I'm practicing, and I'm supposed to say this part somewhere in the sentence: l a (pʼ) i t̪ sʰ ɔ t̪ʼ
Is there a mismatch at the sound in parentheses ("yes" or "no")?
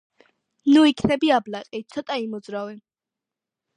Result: yes